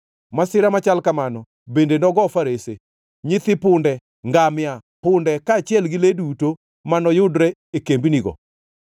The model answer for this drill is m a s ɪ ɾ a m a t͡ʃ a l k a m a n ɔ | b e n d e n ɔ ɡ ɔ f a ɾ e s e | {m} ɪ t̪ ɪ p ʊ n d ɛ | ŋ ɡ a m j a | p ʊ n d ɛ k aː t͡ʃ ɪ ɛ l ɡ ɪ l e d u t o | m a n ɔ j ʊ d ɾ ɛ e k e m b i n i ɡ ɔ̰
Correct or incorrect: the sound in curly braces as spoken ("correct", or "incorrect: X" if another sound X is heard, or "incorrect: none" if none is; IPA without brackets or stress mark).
incorrect: ɲ